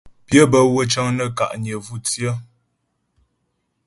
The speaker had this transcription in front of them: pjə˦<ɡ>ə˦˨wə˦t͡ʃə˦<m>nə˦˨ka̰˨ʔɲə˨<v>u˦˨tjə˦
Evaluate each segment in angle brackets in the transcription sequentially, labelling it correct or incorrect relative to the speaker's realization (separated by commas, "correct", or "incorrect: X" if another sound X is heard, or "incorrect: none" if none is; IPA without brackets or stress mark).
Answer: incorrect: b, incorrect: ŋ, correct